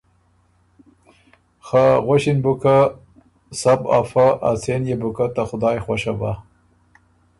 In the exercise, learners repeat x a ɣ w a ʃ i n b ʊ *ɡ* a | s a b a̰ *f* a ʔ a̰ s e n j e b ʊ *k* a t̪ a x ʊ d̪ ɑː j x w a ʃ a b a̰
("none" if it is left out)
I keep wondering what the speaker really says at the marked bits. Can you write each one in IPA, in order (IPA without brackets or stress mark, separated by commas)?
k, f, k